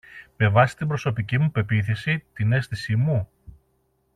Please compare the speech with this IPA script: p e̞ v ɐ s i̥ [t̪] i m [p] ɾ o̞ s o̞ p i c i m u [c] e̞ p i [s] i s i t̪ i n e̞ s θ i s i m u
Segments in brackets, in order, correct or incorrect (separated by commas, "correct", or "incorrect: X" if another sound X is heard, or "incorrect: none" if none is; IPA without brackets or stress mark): correct, incorrect: b, incorrect: p, incorrect: θ